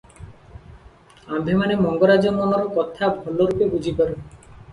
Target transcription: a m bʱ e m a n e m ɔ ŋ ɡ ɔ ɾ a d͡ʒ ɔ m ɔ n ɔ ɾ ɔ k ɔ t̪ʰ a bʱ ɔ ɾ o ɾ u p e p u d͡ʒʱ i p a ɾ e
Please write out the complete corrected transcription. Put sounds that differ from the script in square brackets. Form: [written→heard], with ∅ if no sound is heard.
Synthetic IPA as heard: a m bʱ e m a n e m ɔ ŋ ɡ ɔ ɾ a d͡ʒ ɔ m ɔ n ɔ ɾ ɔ k ɔ t̪ʰ a bʱ ɔ [ɾ→l] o ɾ u p e [p→b] u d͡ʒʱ i p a ɾ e